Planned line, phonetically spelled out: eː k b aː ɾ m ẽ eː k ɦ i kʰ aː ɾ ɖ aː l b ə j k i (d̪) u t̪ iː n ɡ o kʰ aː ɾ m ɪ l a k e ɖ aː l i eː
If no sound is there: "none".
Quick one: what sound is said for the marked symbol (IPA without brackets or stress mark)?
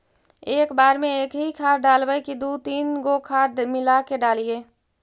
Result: d̪